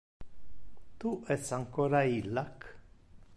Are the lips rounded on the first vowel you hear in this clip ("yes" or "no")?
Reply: yes